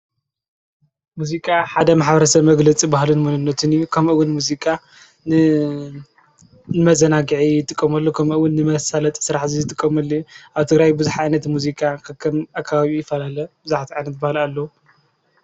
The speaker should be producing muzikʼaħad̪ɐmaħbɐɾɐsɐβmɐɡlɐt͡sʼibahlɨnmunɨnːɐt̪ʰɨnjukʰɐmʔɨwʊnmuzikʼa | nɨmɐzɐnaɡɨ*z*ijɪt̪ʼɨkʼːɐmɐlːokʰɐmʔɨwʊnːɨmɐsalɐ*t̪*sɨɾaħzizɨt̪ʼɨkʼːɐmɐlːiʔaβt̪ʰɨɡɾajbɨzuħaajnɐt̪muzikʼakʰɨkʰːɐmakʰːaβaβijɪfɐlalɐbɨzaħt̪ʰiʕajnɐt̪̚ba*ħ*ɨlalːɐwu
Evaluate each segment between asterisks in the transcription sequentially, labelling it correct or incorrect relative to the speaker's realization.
incorrect: ʕ, incorrect: t̪ʼ, incorrect: h

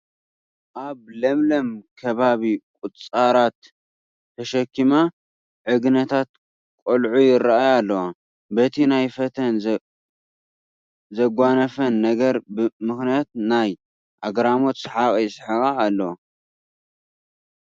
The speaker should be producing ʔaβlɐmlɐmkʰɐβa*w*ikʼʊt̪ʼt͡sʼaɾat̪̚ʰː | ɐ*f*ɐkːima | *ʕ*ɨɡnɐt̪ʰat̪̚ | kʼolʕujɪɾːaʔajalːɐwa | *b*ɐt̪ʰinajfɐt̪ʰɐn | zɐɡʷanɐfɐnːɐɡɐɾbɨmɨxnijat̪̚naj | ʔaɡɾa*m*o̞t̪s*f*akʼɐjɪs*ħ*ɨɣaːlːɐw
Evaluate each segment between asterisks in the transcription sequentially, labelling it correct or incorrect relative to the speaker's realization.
incorrect: β, incorrect: ʃ, correct, correct, correct, incorrect: ħ, correct

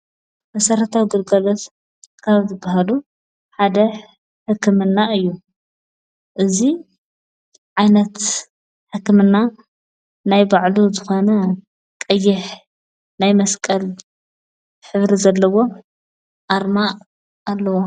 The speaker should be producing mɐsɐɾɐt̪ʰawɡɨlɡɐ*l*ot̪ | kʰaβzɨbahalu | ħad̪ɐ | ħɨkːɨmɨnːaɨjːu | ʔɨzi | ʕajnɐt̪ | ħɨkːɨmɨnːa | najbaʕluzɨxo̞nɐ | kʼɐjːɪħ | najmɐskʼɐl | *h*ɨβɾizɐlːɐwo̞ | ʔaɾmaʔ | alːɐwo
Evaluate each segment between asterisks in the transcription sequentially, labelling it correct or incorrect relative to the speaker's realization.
correct, incorrect: ħ

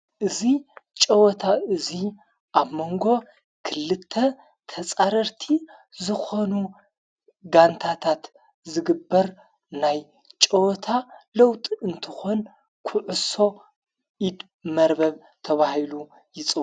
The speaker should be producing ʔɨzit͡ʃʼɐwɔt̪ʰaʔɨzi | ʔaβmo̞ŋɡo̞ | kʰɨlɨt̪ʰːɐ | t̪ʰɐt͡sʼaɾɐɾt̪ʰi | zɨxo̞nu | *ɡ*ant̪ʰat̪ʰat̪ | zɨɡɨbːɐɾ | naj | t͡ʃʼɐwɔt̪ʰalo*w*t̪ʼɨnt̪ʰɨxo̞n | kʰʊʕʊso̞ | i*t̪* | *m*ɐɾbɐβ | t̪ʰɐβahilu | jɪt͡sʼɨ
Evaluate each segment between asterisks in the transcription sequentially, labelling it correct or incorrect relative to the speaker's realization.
correct, correct, incorrect: d̪, correct

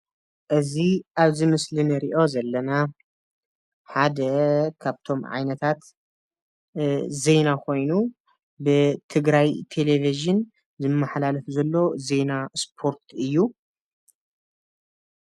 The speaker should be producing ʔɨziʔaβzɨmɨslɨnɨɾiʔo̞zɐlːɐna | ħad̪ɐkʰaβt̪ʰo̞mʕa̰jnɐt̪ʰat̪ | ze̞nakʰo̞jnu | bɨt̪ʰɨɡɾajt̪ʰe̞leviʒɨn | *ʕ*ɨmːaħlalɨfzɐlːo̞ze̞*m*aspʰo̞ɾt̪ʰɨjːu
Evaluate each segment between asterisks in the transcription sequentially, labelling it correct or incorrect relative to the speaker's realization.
incorrect: z, incorrect: n

